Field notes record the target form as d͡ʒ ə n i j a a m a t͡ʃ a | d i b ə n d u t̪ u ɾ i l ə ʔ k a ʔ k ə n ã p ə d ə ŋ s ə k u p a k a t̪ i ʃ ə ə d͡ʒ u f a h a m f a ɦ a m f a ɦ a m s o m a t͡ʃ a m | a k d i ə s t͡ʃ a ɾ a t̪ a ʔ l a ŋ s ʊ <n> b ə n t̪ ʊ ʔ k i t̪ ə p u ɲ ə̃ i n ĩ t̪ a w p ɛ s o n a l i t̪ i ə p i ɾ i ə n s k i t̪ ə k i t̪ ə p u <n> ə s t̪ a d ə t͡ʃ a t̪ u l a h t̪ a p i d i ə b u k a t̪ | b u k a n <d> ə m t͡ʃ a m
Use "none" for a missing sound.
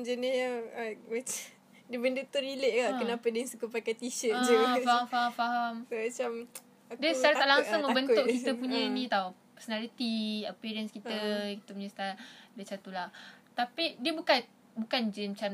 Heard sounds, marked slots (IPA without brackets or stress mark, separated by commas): ŋ, ɲ, d͡ʒ